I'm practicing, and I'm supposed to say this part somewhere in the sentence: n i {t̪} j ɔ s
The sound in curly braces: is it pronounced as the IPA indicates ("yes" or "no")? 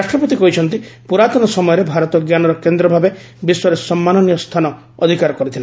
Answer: no